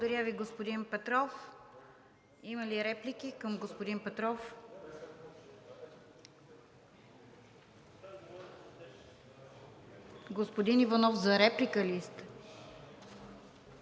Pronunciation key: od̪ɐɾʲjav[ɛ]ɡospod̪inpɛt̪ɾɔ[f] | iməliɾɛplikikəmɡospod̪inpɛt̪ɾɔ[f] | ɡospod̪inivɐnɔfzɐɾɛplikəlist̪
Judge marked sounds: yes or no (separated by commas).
no, yes, yes